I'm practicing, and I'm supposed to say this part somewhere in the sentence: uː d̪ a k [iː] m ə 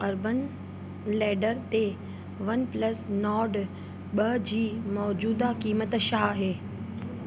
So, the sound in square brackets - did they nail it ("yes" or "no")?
yes